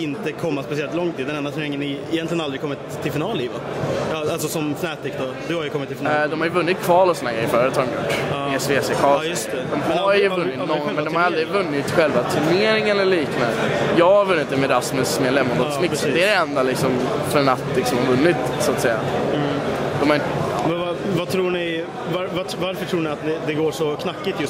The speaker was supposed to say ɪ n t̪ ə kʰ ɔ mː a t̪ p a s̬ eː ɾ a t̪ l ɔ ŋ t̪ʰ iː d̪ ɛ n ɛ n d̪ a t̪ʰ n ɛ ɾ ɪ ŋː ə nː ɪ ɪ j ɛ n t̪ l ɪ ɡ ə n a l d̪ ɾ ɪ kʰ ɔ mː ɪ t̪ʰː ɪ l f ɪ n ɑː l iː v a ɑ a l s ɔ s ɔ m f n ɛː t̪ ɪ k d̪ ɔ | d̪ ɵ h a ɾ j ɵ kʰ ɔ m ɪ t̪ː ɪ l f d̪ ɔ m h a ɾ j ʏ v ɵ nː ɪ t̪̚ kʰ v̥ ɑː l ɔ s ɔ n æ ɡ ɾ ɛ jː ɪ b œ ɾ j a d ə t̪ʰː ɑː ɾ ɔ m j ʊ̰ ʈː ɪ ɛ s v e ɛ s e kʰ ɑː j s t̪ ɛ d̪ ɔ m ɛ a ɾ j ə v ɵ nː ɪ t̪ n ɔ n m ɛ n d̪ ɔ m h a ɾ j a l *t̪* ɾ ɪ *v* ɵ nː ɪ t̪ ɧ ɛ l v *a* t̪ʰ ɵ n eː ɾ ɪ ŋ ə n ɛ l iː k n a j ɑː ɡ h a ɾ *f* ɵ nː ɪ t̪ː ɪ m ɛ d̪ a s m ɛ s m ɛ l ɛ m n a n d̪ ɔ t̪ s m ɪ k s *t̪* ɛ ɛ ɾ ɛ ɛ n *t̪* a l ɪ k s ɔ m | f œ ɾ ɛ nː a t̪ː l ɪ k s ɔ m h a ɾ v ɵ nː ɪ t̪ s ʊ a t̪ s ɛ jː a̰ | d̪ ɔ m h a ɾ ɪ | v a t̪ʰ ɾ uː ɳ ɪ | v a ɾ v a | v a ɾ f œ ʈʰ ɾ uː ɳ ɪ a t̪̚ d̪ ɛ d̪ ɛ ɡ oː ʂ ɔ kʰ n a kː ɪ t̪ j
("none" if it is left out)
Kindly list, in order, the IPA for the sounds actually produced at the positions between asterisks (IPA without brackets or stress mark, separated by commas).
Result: d̪, v, a, v, d̪, d̪